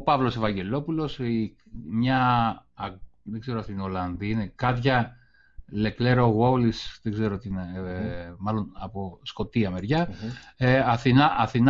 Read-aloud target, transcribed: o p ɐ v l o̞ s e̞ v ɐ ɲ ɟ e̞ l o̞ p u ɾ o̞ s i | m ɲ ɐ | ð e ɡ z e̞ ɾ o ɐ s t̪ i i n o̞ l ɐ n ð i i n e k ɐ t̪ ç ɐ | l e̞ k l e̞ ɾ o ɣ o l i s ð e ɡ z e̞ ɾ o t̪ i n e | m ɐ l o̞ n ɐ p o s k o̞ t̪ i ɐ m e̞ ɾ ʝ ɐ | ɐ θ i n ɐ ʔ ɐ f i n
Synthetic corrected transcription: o p ɐ v l o̞ s e̞ v ɐ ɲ ɟ e̞ l o̞ p u l o̞ s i | m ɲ ɐ | ð e ɡ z e̞ ɾ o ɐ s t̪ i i n o̞ l ɐ n ð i i n e k ɐ t̪ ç ɐ | l e̞ k l e̞ ɾ o ɣ o l i s ð e ɡ z e̞ ɾ o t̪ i n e | m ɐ l o̞ n ɐ p o s k o̞ t̪ i ɐ m e̞ ɾ ʝ ɐ | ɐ θ i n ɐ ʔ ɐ θ i n